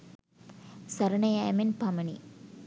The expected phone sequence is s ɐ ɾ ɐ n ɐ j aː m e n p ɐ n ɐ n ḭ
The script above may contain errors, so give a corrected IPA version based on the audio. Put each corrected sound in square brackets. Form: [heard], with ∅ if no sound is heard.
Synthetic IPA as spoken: s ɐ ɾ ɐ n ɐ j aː m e n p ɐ [m] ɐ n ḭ